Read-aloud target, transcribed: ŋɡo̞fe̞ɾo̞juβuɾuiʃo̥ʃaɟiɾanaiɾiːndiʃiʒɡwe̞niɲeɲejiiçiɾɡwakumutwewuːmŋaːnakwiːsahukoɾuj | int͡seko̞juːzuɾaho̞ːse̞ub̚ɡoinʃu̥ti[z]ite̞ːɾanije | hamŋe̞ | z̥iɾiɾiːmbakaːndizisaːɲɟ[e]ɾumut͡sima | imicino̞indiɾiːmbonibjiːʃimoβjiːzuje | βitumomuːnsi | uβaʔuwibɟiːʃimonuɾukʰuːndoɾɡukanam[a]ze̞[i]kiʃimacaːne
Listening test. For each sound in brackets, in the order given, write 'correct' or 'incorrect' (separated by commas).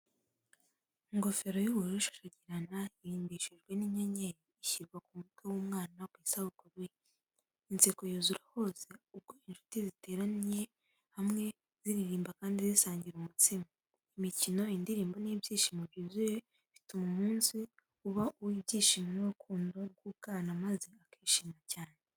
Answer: correct, incorrect, correct, incorrect